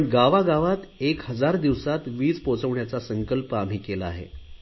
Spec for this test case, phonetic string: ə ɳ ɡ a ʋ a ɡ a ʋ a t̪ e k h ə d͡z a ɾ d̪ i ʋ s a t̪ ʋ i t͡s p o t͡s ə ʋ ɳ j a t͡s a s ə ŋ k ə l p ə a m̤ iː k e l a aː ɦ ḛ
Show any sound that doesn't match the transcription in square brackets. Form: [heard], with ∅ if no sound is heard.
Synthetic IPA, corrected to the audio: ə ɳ ɡ a ʋ a ɡ a ʋ a t̪ e k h ə d͡z a ɾ d̪ i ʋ s a t̪ ʋ [iː] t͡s p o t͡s ə ʋ ɳ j a t͡s a s ə ŋ k ə l p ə a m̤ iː k e l a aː ɦ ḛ